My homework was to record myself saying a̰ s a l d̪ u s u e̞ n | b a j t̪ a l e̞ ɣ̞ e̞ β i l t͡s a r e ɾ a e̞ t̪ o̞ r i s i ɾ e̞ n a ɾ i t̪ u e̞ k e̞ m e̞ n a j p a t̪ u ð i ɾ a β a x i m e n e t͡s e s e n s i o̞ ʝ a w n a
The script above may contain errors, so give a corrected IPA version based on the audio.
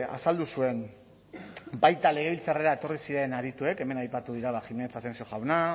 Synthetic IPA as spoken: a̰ s a l d̪ u s u e̞ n | b a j t̪ a l e̞ ɣ̞ e̞ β i l t͡s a r e ɾ a e̞ t̪ o̞ r i s i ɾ e̞ n a ɾ i t̪ u e̞ k e̞ m e̞ n a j p a t̪ u ð i ɾ a β a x i m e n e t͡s a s e n s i o̞ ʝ a w n a